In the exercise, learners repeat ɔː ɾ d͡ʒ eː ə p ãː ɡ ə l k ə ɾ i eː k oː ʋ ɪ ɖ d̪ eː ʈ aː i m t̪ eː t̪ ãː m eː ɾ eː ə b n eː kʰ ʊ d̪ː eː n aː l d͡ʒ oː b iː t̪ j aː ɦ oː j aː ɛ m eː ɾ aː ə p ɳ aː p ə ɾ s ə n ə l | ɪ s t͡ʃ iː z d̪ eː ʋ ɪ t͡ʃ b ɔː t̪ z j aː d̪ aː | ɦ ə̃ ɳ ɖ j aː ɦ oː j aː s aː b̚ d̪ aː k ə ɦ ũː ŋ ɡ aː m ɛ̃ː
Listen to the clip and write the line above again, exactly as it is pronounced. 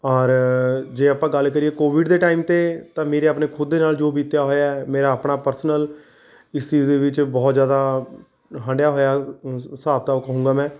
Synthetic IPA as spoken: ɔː ɾ d͡ʒ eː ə p ãː ɡ ə l k ə ɾ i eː k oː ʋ ɪ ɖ d̪ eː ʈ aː i m t̪ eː t̪ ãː m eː ɾ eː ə p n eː kʰ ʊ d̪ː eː n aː l d͡ʒ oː b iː t̪ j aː ɦ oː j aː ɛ m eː ɾ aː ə p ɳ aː p ə ɾ s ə n ə l | ɪ s t͡ʃ iː z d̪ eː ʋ ɪ t͡ʃ b ɔː t̪ z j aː d̪ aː | ɦ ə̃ ɳ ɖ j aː ɦ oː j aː s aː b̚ t̪ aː k ə ɦ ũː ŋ ɡ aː m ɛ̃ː